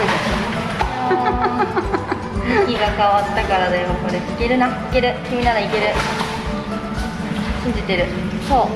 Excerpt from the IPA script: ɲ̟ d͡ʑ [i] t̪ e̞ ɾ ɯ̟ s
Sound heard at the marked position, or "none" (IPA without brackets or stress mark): i